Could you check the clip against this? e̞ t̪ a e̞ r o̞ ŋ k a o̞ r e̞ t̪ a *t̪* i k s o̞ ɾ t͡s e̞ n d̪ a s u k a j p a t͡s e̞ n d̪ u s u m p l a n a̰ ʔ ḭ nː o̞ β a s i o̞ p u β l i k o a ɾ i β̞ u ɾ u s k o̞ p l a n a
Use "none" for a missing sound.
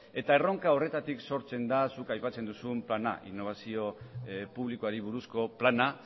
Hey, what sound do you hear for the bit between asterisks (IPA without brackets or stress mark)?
t̪